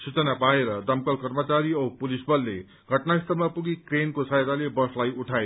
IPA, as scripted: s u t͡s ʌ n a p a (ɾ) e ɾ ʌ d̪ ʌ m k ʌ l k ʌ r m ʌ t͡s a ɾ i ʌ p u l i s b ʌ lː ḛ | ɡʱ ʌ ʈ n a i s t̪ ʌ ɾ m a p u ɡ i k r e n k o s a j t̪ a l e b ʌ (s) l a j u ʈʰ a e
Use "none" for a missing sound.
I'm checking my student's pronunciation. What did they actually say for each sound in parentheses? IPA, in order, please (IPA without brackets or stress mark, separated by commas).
none, s